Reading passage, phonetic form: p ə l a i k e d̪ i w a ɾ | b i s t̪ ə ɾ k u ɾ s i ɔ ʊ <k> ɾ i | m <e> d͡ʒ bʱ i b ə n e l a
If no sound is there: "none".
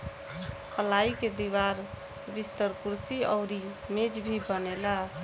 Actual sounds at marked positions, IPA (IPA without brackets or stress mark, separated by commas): none, e